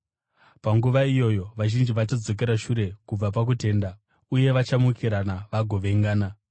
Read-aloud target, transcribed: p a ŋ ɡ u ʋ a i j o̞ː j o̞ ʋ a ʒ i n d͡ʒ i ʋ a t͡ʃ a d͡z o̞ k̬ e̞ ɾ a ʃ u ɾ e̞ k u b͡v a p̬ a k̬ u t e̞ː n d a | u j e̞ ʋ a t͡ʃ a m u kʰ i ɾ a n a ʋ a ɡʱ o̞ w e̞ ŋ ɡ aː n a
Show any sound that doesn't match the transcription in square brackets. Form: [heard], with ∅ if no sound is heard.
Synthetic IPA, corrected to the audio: p a ŋ ɡ u ʋ a i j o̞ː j o̞ ʋ a ʒ i n d͡ʒ i ʋ a t͡ʃ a d͡z o̞ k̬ e̞ ɾ a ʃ u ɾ e̞ k u b͡v a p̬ a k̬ u t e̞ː n d a | u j e̞ ʋ a t͡ʃ a m u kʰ i ɾ a n a ʋ a ɡʱ o̞ [ʋ] e̞ ŋ ɡ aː n a